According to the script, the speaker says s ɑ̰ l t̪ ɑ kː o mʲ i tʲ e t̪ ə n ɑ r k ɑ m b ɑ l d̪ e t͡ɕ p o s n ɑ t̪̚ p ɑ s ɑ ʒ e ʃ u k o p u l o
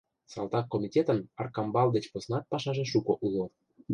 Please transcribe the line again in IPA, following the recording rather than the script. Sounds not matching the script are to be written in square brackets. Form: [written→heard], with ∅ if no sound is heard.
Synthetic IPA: s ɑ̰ l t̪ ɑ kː o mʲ i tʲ e t̪ ə n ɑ r k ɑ m b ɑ l d̪ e t͡ɕ p o s n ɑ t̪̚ p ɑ [s→ʃ] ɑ ʒ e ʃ u k o [p→ʔ] u l o